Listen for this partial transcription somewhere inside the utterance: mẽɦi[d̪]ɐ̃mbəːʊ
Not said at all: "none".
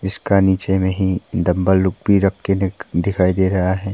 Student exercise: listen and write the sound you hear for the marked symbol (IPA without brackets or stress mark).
d̪